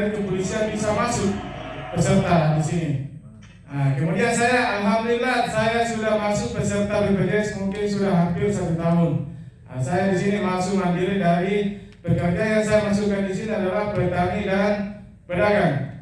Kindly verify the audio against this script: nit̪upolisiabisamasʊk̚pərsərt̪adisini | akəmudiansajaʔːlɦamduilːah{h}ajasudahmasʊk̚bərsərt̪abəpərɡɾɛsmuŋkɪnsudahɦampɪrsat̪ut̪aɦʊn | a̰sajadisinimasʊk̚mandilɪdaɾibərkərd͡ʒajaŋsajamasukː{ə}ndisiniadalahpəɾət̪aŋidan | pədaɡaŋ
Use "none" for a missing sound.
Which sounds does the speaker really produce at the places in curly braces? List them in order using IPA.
s, a

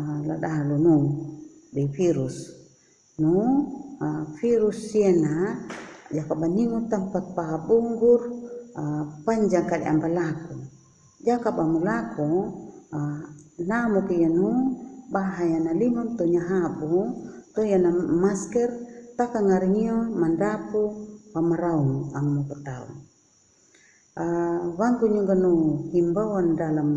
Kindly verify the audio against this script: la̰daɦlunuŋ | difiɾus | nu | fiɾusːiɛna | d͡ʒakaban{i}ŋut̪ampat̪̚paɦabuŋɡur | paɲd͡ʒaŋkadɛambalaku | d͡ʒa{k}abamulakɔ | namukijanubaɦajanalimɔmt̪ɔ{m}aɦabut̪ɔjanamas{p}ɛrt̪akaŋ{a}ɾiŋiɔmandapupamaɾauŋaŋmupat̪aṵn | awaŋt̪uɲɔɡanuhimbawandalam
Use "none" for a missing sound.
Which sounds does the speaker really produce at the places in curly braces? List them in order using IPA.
i, k, ɲ, k, a

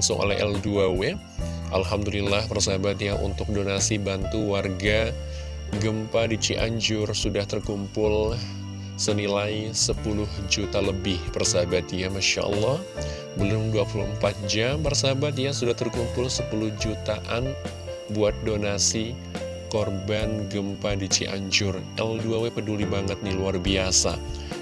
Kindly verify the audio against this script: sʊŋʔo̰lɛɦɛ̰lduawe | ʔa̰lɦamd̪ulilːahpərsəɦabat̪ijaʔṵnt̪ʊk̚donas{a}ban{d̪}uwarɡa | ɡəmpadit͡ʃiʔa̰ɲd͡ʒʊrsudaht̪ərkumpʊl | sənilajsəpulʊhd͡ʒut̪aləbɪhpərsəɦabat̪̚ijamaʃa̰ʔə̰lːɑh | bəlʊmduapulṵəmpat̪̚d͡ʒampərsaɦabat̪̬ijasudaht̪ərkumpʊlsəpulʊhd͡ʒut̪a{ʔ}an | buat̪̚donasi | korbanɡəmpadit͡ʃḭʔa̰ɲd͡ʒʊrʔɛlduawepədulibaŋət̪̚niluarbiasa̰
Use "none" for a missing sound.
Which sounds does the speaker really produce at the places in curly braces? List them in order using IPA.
i, t̪, ʔ

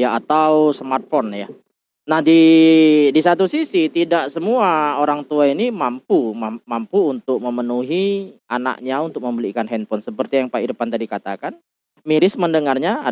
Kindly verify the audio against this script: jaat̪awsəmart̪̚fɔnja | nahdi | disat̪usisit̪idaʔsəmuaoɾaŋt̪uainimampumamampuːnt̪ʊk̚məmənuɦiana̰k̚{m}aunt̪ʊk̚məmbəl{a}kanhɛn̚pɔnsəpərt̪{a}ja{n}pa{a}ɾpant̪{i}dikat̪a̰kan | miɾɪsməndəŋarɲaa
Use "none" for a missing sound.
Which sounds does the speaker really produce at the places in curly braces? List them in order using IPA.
ɲ, i, i, ŋ, i, a

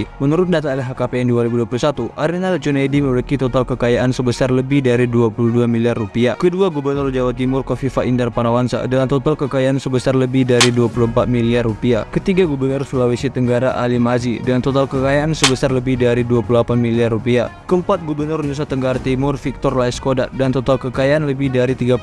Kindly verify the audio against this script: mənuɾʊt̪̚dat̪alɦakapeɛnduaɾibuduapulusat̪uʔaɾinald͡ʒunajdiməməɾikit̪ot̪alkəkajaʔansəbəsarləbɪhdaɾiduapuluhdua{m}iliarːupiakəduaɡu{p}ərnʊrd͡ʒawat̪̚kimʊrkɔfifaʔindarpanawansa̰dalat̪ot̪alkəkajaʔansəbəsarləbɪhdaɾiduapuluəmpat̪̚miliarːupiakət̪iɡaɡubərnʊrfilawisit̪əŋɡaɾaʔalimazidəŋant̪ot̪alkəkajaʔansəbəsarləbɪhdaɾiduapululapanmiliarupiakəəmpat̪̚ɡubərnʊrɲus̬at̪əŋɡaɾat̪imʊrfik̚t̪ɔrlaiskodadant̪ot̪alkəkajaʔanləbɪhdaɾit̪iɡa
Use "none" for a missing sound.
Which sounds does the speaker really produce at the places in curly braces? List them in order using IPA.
m, b

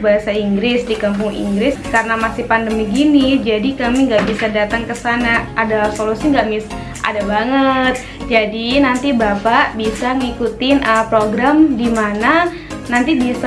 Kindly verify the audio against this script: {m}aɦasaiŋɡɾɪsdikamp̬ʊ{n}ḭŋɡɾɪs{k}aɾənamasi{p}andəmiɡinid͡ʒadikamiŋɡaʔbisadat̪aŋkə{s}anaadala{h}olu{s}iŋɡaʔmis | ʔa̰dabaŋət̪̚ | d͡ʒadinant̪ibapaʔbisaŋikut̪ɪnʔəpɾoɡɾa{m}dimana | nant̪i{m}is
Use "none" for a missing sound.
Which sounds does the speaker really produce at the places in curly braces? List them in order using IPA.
b, ŋ, k, p, s, s, s, m, b

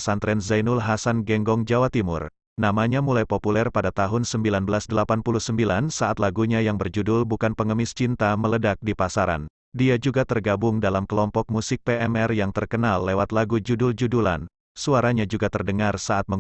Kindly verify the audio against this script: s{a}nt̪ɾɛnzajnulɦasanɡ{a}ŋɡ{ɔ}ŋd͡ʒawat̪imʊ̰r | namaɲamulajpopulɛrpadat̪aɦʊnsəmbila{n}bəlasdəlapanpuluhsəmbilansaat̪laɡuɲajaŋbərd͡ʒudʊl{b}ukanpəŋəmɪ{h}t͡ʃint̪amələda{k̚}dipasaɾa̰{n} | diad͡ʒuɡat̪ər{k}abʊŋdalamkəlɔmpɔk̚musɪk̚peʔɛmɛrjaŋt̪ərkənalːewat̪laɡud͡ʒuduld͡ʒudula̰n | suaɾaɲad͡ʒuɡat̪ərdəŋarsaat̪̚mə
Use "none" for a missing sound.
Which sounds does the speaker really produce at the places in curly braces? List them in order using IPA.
a, ɛ, ɔ, n, b, s, k̚, n, ɡ

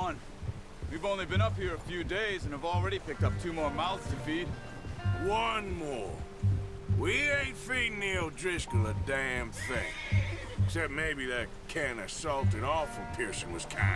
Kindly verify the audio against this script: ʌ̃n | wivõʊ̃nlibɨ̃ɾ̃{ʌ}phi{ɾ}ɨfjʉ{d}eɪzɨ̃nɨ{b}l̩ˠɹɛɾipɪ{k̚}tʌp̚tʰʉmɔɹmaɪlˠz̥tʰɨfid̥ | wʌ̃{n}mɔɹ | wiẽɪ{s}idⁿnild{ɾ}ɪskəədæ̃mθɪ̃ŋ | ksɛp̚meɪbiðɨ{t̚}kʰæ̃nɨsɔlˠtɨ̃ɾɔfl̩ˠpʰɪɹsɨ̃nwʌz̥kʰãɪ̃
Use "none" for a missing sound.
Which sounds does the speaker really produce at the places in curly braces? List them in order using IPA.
ʌ, ɹ, d, v, k̚, n, f, ɹ, t̚

